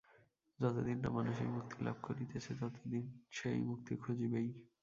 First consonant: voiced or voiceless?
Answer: voiced